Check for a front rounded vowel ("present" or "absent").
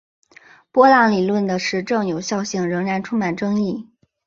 absent